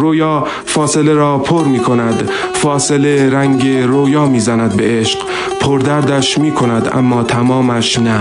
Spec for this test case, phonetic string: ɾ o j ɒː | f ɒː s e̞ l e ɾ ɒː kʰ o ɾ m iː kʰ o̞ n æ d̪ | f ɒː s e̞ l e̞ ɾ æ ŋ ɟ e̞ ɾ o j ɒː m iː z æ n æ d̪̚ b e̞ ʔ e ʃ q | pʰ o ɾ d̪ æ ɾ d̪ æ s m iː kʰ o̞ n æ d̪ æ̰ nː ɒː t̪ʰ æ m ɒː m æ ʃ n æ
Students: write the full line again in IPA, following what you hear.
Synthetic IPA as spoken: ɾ o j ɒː | f ɒː s e̞ l e ɾ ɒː pʰ o ɾ m iː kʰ o̞ n æ d̪ | f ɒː s e̞ l e̞ ɾ æ ŋ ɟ e̞ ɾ o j ɒː m iː z æ n æ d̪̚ b e̞ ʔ e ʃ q | pʰ o ɾ d̪ æ ɾ d̪ æ ʃ m iː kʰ o̞ n æ d̪ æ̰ mː ɒː t̪ʰ æ m ɒː m æ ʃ n æ